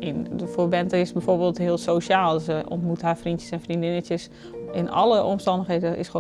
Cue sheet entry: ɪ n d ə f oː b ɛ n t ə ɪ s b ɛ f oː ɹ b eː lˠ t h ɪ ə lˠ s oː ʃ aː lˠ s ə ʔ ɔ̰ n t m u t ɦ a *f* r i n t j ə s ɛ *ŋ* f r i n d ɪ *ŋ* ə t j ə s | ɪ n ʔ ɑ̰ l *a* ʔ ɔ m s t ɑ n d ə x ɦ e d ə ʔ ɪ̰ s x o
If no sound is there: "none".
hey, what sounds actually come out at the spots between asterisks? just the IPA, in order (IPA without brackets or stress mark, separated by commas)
f, n, n, ə